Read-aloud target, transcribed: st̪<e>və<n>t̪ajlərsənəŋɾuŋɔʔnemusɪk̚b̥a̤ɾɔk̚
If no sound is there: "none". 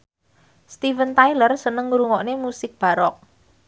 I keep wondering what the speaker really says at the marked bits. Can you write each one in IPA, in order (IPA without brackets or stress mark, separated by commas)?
i, n